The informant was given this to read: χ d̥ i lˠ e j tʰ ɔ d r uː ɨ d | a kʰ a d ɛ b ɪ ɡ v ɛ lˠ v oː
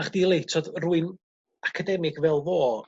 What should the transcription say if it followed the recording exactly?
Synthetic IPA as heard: χ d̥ i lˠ e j tʰ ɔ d r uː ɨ n | a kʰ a d ɛ m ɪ ɡ v ɛ lˠ v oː